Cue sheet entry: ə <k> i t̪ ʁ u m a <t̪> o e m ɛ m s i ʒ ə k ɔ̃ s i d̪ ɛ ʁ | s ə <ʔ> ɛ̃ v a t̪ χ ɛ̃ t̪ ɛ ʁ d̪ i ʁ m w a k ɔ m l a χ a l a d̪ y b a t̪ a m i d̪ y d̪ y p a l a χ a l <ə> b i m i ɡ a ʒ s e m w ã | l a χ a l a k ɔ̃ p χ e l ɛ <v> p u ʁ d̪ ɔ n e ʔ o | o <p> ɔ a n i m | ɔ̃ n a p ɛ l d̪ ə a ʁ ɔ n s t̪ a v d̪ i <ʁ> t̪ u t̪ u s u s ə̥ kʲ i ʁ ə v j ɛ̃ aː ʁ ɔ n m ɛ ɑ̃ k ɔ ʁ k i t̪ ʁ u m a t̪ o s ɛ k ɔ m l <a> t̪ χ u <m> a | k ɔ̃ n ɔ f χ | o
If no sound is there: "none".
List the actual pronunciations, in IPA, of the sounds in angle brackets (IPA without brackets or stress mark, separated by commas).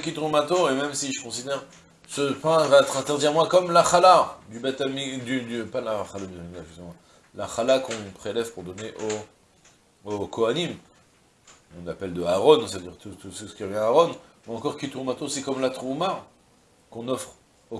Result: k, t̪, p, a, v, k, ʁ, a, m